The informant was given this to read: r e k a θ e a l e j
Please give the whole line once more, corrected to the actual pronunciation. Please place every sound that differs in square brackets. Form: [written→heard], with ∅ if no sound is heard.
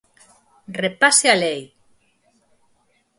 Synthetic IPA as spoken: r e [k→p] a [θ→s] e a l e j